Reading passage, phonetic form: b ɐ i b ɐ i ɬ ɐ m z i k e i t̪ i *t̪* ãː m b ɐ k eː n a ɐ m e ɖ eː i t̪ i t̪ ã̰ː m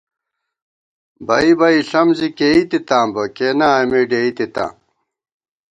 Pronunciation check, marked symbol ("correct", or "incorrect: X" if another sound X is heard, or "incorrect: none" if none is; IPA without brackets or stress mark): correct